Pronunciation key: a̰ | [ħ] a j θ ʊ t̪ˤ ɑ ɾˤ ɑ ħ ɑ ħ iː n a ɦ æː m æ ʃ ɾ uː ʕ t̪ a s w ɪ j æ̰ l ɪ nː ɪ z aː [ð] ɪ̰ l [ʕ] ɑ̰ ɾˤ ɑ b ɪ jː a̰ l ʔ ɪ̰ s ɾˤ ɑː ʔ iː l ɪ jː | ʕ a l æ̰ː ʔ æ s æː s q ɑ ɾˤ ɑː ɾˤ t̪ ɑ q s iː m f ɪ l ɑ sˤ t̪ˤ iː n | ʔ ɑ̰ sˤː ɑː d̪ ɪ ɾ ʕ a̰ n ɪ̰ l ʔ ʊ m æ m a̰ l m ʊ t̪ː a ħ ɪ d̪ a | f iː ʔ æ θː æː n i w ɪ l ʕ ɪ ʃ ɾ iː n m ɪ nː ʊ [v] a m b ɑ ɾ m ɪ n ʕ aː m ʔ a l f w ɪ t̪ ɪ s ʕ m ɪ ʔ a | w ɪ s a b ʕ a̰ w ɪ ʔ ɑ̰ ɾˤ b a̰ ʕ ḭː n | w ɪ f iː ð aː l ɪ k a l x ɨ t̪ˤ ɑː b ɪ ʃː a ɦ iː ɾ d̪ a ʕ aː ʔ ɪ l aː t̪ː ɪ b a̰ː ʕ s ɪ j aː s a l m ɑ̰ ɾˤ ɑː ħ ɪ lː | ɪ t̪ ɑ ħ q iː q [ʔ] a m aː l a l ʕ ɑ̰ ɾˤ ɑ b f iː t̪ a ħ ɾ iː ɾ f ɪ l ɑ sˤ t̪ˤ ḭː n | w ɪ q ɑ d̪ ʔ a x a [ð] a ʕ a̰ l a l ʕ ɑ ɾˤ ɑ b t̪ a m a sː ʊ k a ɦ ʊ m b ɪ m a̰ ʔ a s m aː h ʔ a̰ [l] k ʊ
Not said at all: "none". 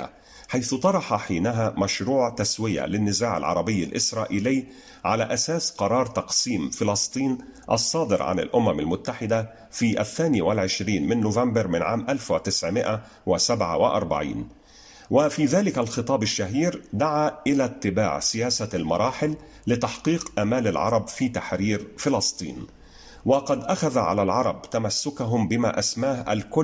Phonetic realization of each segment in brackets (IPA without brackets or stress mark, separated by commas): ħ, ʕ, ʕ, v, ʔ, ð, l